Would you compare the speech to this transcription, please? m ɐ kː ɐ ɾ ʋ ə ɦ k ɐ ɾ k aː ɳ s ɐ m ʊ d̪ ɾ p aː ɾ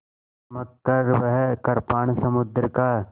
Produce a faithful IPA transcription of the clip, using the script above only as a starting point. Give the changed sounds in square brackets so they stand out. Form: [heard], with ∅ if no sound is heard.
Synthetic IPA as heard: m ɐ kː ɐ ɾ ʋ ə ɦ k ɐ ɾ [p] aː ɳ s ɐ m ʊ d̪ ɾ [k] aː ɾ